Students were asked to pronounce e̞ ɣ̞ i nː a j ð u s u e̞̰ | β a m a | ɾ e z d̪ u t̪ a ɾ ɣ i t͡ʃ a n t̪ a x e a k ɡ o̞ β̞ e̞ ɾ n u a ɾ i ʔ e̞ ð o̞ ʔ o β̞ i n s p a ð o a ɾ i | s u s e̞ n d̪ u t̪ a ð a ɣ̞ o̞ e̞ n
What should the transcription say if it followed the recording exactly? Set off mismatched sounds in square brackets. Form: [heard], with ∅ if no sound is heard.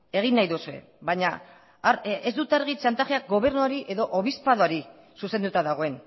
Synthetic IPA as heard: e̞ ɣ̞ i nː a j ð u s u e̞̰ | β a [ɲ] a | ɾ e z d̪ u t̪ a ɾ ɣ i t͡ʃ a n t̪ a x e a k ɡ o̞ β̞ e̞ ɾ n u a ɾ i ʔ e̞ ð o̞ ʔ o β̞ i [∅] s p a ð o a ɾ i | s u s e̞ n d̪ u t̪ a ð a ɣ̞ o̞ e̞ n

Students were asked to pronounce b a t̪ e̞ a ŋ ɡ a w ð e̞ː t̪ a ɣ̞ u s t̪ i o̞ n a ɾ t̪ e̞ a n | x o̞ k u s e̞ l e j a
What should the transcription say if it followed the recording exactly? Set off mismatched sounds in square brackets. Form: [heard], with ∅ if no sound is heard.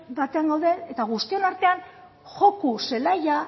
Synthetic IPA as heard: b a t̪ e̞ a ŋ ɡ a w ð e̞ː t̪ a ɣ̞ u s t̪ i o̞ n a ɾ t̪ e̞ a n | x o̞ k u s e̞ l [a] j a

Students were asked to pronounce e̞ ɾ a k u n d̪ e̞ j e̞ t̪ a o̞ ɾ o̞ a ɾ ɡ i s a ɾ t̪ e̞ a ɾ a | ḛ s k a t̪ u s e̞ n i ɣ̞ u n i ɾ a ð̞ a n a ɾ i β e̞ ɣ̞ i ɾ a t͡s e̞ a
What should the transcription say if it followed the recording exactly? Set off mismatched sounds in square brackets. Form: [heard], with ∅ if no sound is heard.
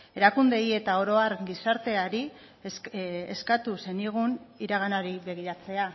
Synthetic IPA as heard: e̞ ɾ a k u n d̪ e̞ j e̞ t̪ a o̞ ɾ o̞ a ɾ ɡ i s a ɾ t̪ e̞ a ɾ [i] | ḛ s k a t̪ u s e̞ n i ɣ̞ u n i ɾ a [ɣ̞] a n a ɾ i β e̞ ɣ̞ i ɾ a t͡s e̞ a

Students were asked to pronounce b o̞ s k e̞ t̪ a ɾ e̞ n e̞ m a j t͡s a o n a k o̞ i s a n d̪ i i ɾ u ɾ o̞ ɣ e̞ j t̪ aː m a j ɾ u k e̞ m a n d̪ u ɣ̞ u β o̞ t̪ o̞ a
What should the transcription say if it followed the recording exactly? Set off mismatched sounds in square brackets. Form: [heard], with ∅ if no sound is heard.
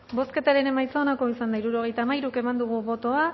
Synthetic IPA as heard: b o̞ s k e̞ t̪ a ɾ e̞ n e̞ m a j t͡s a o n a k o̞ i s a n d̪ [a] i ɾ u ɾ o̞ ɣ e̞ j t̪ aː m a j ɾ u k e̞ m a n d̪ u ɣ̞ u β o̞ t̪ o̞ a

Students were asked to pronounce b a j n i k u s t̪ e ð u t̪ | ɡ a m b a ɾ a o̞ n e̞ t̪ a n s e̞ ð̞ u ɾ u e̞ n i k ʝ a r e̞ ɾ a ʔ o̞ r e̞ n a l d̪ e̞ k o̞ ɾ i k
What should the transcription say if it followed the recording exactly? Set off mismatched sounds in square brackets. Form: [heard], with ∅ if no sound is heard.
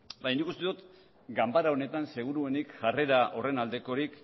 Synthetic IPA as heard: b a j n i k u s t̪ e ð u t̪ | ɡ a m b a ɾ a o̞ n e̞ t̪ a n s e̞ [ɣ̞] u ɾ u e̞ n i k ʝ a r e̞ ɾ a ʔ o̞ r e̞ n a l d̪ e̞ k o̞ ɾ i k

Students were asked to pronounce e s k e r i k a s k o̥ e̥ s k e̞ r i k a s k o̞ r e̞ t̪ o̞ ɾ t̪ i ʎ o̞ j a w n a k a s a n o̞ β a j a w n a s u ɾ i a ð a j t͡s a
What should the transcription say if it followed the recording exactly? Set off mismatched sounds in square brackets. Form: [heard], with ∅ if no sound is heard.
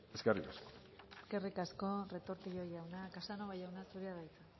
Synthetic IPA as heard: e s k e r i k a s k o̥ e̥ s k e̞ r i k a s k o̞ r e̞ t̪ o̞ ɾ t̪ i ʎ o̞ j a w n a k a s a n o̞ β a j a w n a s u ɾ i a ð a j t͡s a

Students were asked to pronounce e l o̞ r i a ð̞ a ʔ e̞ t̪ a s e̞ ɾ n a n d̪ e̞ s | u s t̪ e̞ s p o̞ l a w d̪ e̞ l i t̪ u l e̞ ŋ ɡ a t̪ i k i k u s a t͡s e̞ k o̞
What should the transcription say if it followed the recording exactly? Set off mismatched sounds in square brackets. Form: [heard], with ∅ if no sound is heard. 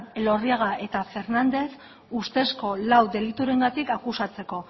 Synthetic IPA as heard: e l o̞ r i a [ɣ̞] a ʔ e̞ t̪ a [f] e̞ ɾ n a n d̪ e̞ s | u s t̪ e̞ s [k] o̞ l a w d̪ e̞ l i t̪ u [ɾ] e̞ ŋ ɡ a t̪ i k [a] k u s a t͡s e̞ k o̞

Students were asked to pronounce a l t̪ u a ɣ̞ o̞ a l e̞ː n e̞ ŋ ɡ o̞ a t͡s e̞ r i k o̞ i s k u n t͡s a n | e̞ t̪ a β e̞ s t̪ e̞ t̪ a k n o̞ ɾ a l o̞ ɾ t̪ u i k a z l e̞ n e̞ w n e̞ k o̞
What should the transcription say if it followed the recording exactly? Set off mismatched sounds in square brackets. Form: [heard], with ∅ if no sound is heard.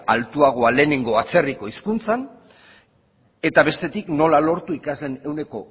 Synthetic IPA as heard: a l t̪ u a ɣ̞ o̞ a l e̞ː n e̞ ŋ ɡ o̞ a t͡s e̞ r i k o̞ i s k u n t͡s a n | e̞ t̪ a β e̞ s t̪ e̞ t̪ [i] k n o̞ [l] a l o̞ ɾ t̪ u i k a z l e̞ n e̞ w n e̞ k o̞

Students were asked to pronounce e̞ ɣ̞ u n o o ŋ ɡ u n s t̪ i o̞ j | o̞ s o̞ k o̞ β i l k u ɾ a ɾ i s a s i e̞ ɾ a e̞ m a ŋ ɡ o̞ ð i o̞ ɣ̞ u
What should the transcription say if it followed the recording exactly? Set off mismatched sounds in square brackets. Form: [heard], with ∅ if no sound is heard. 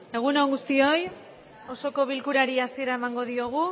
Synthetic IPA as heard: e̞ ɣ̞ u n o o ŋ ɡ u [∅] s t̪ i o̞ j | o̞ s o̞ k o̞ β i l k u ɾ a ɾ i [∅] a s i e̞ ɾ a e̞ m a ŋ ɡ o̞ ð i o̞ ɣ̞ u

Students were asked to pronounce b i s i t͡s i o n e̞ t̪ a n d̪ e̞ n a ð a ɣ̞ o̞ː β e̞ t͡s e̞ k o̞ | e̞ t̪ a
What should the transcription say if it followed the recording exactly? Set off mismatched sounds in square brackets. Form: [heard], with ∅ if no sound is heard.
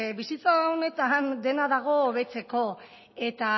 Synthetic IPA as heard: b i s i t͡s [a] o n e̞ t̪ a n d̪ e̞ n a ð a ɣ̞ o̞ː β e̞ t͡s e̞ k o̞ | e̞ t̪ a

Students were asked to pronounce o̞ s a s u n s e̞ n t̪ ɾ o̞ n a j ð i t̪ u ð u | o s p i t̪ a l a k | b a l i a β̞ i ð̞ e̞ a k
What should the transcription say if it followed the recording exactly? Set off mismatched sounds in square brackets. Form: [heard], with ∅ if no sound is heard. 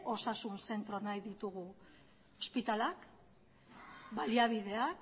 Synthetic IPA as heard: o̞ s a s u n s e̞ n t̪ ɾ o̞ n a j ð i t̪ u [ɣ] u | o s p i t̪ a l a k | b a l i a β̞ i ð̞ e̞ a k

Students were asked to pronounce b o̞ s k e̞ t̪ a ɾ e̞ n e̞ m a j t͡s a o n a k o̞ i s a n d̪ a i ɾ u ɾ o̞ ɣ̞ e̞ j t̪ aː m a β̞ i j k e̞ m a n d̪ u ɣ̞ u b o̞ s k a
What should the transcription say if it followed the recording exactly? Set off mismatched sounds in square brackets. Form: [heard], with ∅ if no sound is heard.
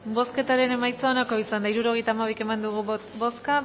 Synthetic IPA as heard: b o̞ s k e̞ t̪ a ɾ e̞ n e̞ m a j t͡s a o n a k o̞ i s a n d̪ a i ɾ u ɾ o̞ ɣ̞ e̞ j t̪ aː m a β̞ i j k e̞ m a n d̪ u ɣ̞ u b o̞ s k a

